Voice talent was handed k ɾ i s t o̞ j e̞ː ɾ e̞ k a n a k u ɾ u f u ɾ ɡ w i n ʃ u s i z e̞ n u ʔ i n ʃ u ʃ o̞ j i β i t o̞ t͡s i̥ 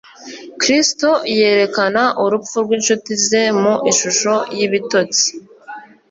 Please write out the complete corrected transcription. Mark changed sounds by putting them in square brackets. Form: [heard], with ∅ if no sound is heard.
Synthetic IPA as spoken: k ɾ i s t o̞ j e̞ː ɾ e̞ k a n a [ʔ] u ɾ u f u ɾ ɡ w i n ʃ u [t] i z e̞ [m] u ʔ i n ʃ u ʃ o̞ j i β i t o̞ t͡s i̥

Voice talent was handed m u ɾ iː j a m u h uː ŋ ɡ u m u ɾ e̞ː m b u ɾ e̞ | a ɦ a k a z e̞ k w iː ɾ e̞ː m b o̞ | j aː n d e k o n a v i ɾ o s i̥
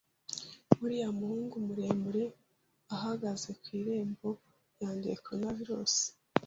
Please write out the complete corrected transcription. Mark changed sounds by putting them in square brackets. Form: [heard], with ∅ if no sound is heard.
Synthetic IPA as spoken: m u ɾ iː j a m u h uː ŋ ɡ u m u ɾ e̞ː m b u ɾ e̞ | a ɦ a [ɡ] a z e̞ k w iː ɾ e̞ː m b o̞ | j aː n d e k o n a v i ɾ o s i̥

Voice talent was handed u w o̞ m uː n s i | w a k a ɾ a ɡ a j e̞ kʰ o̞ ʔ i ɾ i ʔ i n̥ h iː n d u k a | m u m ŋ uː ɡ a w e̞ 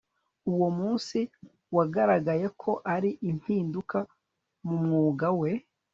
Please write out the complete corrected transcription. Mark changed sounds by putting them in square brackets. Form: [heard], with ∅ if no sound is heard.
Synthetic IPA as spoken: u w o̞ m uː n s i | w a [ɡ] a ɾ a ɡ a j e̞ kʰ o̞ ʔ [a] ɾ i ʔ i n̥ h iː n d u k a | m u m ŋ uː ɡ a w e̞

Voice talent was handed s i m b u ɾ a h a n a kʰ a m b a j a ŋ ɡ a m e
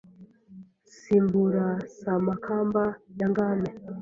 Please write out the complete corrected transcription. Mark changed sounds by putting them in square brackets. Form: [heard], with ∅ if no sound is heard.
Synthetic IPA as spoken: s i m b u ɾ a [s] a [m] a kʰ a m b a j a ŋ ɡ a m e

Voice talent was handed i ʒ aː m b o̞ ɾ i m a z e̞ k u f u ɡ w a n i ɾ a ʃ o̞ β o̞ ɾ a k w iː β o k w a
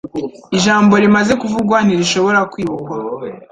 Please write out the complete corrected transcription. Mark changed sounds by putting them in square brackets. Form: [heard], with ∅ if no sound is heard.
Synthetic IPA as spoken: i ʒ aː m b o̞ ɾ i m a z e̞ k u [v] u ɡ w a n i ɾ [i] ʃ o̞ β o̞ ɾ a k w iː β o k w a

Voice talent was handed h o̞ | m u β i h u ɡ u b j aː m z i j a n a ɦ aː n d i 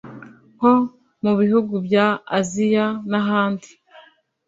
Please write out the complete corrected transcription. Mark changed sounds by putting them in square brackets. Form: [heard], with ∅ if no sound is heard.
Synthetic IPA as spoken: h o̞ | m u β i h u ɡ u b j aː [∅] z i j a n a ɦ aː n d i

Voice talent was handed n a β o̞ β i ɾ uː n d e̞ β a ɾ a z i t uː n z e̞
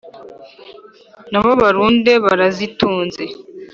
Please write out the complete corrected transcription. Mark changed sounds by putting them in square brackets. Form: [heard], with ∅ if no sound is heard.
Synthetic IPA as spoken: n a β o̞ β [a] ɾ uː n d e̞ β a ɾ a z i t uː n z e̞

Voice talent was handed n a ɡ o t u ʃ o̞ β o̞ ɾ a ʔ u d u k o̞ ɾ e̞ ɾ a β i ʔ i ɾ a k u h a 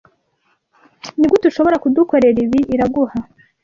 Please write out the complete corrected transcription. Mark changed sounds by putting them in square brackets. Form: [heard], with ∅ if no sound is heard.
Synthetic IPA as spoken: n [i] ɡ o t u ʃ o̞ β o̞ ɾ a [k] u d u k o̞ ɾ e̞ ɾ [i] β i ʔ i ɾ a [ɡ] u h a

